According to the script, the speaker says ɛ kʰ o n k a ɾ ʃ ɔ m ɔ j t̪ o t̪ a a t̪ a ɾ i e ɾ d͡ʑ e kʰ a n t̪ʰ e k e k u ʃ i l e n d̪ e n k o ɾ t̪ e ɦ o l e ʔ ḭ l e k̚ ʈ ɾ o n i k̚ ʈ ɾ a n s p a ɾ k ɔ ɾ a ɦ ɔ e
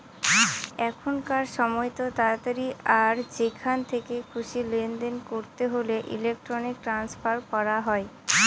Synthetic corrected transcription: ɛ kʰ o n k a ɾ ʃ ɔ m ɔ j t̪ o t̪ a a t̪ a ɾ i a ɾ d͡ʑ e kʰ a n t̪ʰ e k e kʰ u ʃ i l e n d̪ e n k o ɾ t̪ e ɦ o l e ʔ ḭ l e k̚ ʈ ɾ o n i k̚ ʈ ɾ a n s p a ɾ k ɔ ɾ a ɦ ɔ e